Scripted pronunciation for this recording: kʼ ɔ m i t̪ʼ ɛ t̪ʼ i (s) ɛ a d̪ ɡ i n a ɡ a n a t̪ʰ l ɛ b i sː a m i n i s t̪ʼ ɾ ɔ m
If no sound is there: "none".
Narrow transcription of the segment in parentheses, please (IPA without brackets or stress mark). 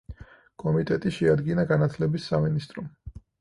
ʃ